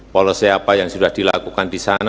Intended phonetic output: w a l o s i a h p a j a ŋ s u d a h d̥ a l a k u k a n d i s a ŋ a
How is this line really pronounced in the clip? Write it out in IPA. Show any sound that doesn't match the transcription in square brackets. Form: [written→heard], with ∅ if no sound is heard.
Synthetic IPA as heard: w a l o s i a [h→∅] p a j a ŋ s u d a h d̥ [a→i] l a k u k a n d i s a [ŋ→n] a